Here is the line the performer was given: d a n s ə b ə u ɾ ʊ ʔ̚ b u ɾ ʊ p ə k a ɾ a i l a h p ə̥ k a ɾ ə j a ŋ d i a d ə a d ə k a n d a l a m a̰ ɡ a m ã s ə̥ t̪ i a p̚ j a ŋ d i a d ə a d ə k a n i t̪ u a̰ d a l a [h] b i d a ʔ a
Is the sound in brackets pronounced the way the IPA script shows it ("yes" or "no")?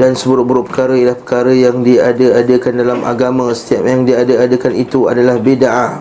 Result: yes